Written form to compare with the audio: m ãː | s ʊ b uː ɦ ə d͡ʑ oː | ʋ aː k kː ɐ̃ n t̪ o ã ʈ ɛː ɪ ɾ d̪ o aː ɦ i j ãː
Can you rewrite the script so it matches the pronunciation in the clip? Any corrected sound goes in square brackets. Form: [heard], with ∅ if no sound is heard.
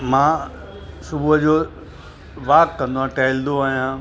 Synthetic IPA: m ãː | s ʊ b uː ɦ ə d͡ʑ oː | ʋ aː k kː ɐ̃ n [d̪] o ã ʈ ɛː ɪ [l] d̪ o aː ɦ i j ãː